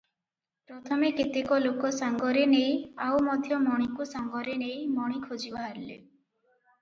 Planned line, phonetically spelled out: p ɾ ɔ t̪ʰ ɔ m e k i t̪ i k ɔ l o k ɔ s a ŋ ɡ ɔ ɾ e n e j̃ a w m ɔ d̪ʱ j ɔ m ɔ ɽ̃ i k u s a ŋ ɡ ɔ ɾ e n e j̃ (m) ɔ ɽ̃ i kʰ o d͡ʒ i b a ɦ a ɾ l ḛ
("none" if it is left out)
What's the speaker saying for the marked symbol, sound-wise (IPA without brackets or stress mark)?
m